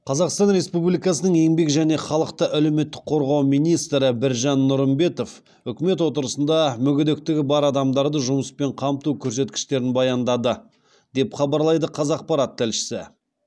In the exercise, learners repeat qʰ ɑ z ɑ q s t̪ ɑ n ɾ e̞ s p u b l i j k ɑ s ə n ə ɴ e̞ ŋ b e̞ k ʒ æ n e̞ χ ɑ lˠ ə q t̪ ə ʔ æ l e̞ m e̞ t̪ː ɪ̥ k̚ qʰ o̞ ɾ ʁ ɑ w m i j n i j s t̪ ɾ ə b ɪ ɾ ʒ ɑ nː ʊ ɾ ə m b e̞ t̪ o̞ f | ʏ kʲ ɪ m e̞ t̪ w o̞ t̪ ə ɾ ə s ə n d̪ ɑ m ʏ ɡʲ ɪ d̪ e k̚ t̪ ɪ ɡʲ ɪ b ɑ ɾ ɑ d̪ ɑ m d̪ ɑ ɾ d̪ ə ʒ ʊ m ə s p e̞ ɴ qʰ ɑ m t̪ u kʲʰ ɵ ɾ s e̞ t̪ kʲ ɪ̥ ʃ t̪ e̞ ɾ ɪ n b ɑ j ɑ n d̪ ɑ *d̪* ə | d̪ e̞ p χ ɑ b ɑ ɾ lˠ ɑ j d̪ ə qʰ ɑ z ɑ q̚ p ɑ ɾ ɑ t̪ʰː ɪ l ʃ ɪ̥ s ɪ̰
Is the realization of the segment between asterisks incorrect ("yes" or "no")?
no